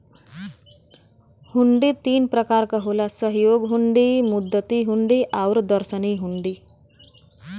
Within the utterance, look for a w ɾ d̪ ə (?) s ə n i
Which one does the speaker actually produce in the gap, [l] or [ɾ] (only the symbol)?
ɾ